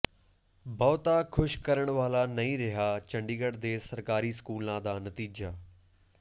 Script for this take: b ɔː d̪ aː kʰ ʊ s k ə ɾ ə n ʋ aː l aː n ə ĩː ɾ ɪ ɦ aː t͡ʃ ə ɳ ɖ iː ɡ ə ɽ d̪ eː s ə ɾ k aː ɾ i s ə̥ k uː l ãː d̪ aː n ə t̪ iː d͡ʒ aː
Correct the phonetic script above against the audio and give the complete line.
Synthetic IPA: b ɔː t̪ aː kʰ ʊ ʃ k ə ɾ ə ɳ ʋ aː l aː n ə ĩː ɾ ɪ ɦ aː t͡ʃ ə ɳ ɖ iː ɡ ə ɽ d̪ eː s ə ɾ k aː ɾ iː s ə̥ k uː l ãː d̪ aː n ə t̪ iː d͡ʒ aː